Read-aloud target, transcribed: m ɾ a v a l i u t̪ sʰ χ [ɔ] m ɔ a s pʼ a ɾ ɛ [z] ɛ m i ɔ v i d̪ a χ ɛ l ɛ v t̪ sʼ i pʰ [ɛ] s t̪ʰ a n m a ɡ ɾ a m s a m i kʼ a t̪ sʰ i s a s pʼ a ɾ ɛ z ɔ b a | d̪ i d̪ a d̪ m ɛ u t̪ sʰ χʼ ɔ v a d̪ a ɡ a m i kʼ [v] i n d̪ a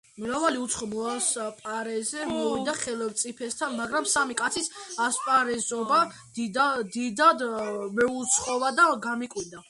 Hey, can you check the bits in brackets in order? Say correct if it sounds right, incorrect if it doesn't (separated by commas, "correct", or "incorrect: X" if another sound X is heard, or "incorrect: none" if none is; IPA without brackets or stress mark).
correct, correct, correct, incorrect: w